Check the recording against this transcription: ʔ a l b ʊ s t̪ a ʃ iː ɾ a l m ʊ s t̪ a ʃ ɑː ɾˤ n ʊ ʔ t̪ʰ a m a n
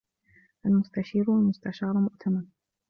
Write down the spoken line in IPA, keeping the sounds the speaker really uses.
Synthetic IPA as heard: ʔ a l m ʊ s t̪ a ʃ iː ɾ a l m ʊ s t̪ a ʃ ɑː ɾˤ m ʊ ʔ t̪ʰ a m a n